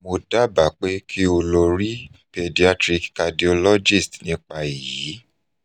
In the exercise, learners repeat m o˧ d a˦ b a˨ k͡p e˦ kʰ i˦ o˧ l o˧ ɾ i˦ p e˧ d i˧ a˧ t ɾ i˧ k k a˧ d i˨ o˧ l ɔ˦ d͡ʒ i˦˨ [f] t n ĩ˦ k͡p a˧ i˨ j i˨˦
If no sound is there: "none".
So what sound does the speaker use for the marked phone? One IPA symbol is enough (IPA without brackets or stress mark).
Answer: s